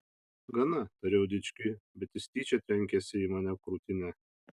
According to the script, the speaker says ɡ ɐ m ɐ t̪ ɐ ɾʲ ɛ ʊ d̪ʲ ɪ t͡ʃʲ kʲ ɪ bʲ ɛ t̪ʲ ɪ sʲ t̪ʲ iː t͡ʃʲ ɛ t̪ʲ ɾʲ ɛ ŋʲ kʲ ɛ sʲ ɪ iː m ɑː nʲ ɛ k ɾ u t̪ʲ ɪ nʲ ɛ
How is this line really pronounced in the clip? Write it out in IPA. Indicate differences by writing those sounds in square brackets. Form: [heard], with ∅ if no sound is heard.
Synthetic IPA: ɡ ɐ [n] ɐ t̪ ɐ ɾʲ ɛ ʊ d̪ʲ ɪ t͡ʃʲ kʲ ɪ bʲ ɛ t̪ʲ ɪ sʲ t̪ʲ iː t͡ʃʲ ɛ t̪ʲ ɾʲ ɛ ŋʲ kʲ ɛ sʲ ɪ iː m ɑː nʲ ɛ k ɾ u t̪ʲ ɪ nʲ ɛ